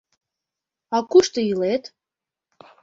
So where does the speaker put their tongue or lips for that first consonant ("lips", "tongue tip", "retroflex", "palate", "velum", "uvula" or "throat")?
velum